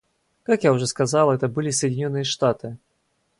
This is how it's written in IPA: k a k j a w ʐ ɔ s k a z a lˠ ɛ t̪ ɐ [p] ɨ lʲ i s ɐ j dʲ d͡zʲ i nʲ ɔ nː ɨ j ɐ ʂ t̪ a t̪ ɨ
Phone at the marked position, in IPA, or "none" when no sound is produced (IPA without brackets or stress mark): b